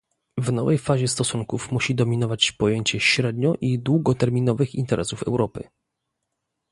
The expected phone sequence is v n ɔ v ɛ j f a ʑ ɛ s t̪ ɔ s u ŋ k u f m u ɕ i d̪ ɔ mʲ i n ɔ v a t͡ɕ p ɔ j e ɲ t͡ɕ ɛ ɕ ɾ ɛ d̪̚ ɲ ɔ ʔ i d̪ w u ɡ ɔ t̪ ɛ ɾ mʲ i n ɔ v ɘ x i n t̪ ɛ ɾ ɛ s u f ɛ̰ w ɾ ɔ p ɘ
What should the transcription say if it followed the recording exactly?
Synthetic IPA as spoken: v n ɔ v ɛ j f a ʑ ɛ s t̪ ɔ s u ŋ k u f m u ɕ i d̪ ɔ mʲ i n ɔ v a t͡ɕ p ɔ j e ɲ t͡ɕ ɛ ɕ ɾ ɛ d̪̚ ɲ ɔ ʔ i d̪ w u ɡ ɔ t̪ ɛ ɾ mʲ i n ɔ v ɘ x i n t̪ ɛ ɾ ɛ s u f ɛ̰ w ɾ ɔ p ɘ